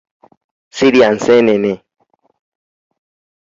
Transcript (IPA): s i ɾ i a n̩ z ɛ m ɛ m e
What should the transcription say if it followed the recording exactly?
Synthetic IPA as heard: s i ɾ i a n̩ s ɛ n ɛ n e